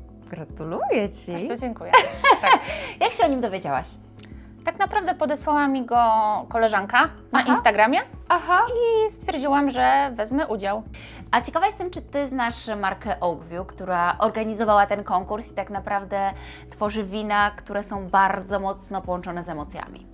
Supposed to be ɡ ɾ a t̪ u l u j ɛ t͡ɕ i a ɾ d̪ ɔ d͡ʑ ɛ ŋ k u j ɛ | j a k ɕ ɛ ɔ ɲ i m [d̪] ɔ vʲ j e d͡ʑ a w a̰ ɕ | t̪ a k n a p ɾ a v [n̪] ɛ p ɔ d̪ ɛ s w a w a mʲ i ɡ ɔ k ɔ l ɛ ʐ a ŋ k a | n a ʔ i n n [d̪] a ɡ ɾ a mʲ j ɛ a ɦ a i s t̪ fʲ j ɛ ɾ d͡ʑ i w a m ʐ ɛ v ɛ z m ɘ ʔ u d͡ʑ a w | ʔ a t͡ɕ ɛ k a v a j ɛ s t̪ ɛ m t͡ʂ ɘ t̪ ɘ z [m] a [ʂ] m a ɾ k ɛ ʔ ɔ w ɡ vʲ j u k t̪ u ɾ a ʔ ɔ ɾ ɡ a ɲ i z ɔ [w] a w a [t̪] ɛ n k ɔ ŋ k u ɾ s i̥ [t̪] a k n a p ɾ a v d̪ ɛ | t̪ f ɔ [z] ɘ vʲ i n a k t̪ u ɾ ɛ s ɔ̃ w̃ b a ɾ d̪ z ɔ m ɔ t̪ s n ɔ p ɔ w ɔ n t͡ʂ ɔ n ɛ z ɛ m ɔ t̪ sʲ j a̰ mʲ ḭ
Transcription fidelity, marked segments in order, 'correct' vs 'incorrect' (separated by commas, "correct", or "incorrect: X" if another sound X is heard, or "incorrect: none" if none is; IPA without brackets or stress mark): correct, incorrect: d̪, incorrect: t̪, incorrect: n, correct, incorrect: v, correct, correct, incorrect: ʐ